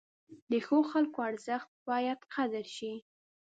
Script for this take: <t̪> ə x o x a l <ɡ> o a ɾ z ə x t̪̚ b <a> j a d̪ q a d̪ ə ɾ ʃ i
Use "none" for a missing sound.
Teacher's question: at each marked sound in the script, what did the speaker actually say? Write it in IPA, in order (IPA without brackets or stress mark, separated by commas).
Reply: d̪, k, ɑ